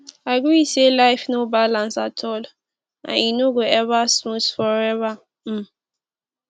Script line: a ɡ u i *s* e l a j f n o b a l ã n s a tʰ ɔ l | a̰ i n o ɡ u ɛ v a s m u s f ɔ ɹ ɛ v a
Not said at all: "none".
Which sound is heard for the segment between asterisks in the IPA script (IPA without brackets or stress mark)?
s